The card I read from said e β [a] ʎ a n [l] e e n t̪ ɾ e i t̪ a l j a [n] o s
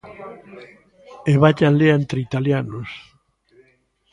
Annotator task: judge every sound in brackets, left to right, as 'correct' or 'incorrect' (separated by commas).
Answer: correct, correct, correct